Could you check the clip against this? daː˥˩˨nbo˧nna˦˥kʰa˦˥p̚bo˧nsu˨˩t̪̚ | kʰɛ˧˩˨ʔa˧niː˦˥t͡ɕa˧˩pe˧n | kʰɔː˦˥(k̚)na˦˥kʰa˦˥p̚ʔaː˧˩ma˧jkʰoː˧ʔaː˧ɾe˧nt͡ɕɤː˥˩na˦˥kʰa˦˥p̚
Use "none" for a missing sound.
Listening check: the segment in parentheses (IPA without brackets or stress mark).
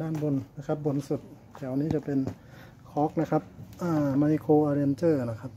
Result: k̚